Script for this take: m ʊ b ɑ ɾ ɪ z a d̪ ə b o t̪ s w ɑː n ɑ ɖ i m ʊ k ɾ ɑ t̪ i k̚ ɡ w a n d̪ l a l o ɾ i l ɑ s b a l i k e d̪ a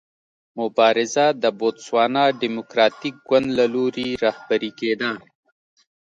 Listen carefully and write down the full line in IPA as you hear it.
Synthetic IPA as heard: m ʊ b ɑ ɾ ɪ z a d̪ ə b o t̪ s w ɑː n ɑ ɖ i m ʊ k ɾ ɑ t̪ i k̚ ɡ w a n d̪ l a l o ɾ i ɾ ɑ h b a ɾ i k e d̪ a